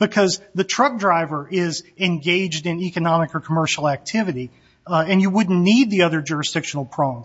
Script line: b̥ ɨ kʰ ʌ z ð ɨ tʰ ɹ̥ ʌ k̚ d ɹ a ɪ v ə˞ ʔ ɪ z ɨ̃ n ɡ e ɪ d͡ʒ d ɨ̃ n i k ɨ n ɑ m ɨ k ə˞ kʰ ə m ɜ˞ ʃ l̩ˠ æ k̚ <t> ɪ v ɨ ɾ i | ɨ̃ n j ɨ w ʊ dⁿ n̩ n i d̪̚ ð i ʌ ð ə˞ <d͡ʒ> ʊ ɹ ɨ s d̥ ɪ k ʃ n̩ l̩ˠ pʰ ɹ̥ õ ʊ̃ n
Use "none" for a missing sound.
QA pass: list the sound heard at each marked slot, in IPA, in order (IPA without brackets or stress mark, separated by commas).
tʰ, d͡ʒ